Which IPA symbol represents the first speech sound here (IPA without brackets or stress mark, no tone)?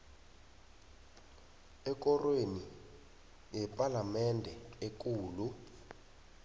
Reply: ɛ